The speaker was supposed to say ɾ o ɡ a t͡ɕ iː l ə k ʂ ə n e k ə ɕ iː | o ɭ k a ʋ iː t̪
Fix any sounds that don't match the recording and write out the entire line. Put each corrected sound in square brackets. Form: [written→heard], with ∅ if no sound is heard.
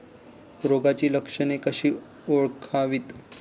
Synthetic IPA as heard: ɾ o ɡ a t͡ɕ iː l ə k ʂ ə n e k ə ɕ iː | o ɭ [k→kʰ] a ʋ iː t̪